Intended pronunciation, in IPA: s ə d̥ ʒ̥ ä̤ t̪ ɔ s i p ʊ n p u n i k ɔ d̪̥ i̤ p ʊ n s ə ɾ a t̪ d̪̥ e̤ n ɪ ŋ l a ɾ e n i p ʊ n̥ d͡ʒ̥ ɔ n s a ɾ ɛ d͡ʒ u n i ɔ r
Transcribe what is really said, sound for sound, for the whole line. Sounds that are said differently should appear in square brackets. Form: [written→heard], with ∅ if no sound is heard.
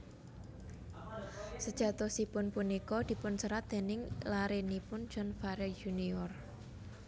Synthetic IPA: s ə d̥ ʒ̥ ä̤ t̪ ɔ s i p ʊ n p u n i k ɔ d̪̥ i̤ p ʊ n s ə ɾ a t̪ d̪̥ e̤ n ɪ ŋ l a ɾ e n i p ʊ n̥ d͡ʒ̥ ɔ n [s→f] a ɾ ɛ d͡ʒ u n i ɔ r